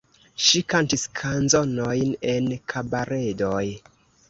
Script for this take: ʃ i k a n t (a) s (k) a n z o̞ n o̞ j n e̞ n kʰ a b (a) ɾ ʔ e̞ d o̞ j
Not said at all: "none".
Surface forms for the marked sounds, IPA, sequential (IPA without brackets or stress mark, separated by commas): i, kʰ, a